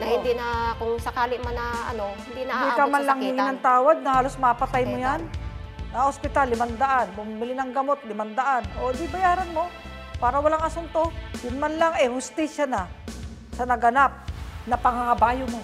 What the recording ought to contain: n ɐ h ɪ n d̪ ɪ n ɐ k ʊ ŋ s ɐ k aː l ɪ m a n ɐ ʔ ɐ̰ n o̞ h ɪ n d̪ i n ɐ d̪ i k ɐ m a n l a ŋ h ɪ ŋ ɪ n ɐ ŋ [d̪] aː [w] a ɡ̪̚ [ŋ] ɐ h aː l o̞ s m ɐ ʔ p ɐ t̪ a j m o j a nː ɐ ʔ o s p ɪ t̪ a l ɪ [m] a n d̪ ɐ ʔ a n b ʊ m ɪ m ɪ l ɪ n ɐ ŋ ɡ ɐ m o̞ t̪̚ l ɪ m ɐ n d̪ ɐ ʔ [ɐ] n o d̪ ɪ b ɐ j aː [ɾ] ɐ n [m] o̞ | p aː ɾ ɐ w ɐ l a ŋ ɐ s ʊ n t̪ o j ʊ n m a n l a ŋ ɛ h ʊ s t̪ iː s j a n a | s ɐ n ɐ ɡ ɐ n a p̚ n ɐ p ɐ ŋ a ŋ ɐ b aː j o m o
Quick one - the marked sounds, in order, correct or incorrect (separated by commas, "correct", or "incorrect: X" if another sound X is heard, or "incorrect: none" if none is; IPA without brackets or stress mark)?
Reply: incorrect: t̪, correct, incorrect: n, correct, incorrect: a, correct, correct